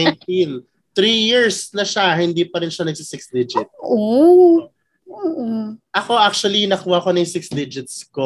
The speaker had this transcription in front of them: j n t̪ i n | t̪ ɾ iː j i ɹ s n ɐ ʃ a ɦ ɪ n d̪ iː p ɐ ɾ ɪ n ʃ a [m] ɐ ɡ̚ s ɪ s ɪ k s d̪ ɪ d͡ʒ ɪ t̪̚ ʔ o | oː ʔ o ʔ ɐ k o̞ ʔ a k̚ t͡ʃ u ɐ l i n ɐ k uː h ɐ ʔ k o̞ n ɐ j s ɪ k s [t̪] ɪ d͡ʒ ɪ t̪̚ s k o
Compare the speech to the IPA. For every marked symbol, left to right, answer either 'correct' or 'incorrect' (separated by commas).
incorrect, incorrect